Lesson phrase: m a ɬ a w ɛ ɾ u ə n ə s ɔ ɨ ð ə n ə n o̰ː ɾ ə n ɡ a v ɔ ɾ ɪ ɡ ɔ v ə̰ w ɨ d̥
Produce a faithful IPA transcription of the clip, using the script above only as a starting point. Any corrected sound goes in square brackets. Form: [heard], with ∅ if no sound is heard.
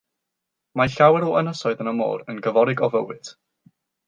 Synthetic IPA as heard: m a ɬ a w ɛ ɾ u ə n ə s ɔ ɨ ð ə n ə [m] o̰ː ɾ ə n ɡ [ə] v ɔ ɾ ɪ ɡ ɔ v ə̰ w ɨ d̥